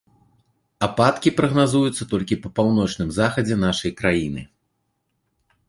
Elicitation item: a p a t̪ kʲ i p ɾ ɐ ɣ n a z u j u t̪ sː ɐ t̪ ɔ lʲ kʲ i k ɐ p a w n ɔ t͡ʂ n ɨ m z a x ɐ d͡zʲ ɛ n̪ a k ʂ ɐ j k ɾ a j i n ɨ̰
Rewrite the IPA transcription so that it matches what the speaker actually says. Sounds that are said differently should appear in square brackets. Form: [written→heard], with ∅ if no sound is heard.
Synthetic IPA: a p a t̪ kʲ i p ɾ ɐ ɣ n a z u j u t̪ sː ɐ t̪ ɔ lʲ kʲ i [k→p] ɐ p a w n ɔ t͡ʂ n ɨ m z a x ɐ d͡zʲ ɛ n̪ a [k→∅] ʂ ɐ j k ɾ a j i n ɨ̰